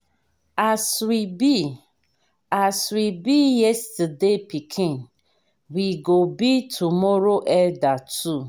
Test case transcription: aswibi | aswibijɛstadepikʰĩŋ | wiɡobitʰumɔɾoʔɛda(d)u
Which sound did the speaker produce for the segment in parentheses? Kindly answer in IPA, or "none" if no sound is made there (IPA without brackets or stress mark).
t